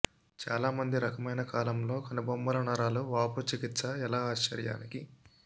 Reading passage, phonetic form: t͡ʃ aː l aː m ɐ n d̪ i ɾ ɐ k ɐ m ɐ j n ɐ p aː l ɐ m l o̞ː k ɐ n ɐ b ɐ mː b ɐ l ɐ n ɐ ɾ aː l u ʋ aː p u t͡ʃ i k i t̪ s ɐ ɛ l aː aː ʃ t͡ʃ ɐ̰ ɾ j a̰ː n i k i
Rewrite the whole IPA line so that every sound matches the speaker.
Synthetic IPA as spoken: t͡ʃ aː l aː m ɐ n d̪ i ɾ ɐ k ɐ m ɐ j n ɐ k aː l ɐ m l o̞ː k ɐ n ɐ b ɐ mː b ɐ l ɐ n ɐ ɾ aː l u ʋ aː p u t͡ʃ i k i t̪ s ɐ ɛ l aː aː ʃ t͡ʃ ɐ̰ ɾ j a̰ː n i k i